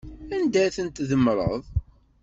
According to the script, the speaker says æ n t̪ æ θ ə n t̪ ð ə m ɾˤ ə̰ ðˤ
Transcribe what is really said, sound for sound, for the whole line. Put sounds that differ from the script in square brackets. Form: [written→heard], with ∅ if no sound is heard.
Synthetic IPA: æ n [t̪→d̪] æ θ ə n t̪ ð ə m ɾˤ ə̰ ðˤ